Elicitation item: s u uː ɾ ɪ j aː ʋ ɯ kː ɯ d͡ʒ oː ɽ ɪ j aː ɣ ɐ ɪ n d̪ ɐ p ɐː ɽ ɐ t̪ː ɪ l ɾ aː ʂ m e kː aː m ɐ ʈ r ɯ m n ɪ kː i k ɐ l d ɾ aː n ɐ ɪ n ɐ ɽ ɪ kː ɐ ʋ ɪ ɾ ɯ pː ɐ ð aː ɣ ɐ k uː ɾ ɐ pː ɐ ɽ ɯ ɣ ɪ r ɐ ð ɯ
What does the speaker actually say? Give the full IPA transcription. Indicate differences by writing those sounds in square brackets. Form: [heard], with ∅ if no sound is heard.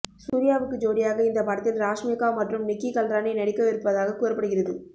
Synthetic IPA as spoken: s u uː ɾ ɪ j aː ʋ ɯ kː ɯ d͡ʒ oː ɽ ɪ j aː ɣ ɐ ɪ n d̪ ɐ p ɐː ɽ ɐ t̪ː ɪ l ɾ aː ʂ m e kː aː m ɐ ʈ r ɯ m n ɪ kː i k ɐ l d ɾ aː n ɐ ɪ n ɐ ɽ ɪ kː ɐ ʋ ɪ ɾ ɯ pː ɐ ð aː ɣ ɐ k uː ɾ ɐ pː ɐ ɽ ɯ ɣ ɪ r ɐ ð ɯ